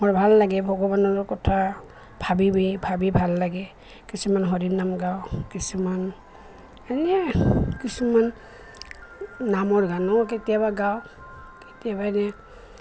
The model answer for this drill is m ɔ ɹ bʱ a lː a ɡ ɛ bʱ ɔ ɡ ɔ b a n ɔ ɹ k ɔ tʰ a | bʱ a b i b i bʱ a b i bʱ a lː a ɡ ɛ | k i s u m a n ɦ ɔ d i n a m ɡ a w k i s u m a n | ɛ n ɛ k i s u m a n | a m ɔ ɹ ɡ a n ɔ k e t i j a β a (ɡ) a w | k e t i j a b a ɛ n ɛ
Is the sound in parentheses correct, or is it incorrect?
correct